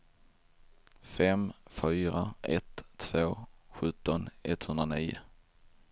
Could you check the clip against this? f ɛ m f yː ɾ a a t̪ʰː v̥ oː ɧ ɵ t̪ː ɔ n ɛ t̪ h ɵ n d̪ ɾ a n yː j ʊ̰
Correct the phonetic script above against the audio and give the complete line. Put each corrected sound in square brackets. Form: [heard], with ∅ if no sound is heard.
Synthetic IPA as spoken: f ɛ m f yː ɾ a [ɛ] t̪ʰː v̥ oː ɧ ɵ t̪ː ɔ n ɛ t̪ h ɵ n d̪ ɾ a n [iː] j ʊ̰